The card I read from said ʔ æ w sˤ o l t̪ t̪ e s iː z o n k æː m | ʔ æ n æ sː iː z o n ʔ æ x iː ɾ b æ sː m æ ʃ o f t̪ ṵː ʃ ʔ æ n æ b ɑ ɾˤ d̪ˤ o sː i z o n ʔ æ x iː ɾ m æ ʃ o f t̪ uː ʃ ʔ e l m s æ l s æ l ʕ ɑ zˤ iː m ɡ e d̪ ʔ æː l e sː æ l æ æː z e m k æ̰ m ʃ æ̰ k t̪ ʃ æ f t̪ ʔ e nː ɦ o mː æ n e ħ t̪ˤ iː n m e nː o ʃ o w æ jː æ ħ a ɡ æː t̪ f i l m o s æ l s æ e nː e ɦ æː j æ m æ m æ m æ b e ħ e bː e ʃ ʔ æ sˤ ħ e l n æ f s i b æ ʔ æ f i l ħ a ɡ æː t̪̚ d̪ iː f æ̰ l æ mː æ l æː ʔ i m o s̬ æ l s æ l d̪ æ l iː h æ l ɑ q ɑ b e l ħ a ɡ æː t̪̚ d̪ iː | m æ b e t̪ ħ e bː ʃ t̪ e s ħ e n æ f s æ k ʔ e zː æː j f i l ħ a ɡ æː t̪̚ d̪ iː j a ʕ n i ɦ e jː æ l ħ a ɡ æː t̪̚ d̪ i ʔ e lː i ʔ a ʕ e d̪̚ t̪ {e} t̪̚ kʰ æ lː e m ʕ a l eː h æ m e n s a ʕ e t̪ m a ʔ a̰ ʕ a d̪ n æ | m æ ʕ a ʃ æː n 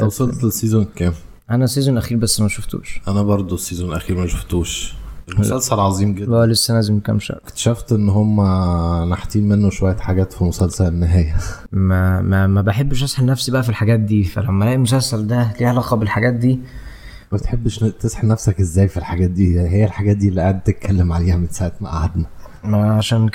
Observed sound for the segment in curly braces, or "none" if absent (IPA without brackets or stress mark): e